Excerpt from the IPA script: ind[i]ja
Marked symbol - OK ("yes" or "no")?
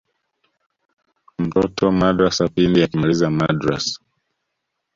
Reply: yes